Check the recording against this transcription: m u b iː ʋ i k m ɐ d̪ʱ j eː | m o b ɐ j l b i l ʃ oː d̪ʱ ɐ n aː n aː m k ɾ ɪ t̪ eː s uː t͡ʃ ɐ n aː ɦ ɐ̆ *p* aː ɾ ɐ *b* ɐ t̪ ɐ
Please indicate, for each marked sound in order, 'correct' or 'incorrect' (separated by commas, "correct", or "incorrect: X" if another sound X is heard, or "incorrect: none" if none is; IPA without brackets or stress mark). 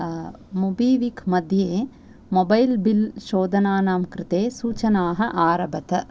incorrect: ʔ, correct